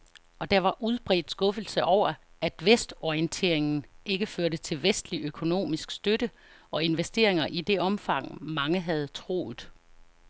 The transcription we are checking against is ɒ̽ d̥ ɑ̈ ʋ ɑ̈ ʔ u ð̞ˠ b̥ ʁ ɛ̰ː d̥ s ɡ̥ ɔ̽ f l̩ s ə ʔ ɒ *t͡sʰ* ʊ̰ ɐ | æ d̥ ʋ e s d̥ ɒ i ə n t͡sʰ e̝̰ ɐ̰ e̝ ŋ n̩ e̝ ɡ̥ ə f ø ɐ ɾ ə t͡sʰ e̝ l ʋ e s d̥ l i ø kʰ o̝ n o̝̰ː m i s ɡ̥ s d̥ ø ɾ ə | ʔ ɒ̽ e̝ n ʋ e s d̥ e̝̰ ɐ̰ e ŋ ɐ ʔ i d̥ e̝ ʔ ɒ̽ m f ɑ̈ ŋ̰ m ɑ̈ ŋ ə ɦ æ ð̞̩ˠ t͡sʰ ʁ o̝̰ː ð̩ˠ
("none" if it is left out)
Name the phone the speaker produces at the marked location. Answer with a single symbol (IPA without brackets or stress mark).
none